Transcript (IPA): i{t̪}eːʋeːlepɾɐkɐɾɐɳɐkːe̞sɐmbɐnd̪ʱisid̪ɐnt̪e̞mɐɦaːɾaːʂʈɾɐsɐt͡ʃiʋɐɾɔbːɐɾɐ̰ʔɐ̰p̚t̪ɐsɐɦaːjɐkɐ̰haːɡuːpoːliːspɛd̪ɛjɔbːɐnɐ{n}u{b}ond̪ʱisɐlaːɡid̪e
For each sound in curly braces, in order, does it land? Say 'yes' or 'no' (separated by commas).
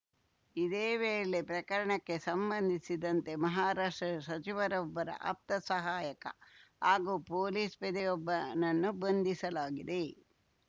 no, no, yes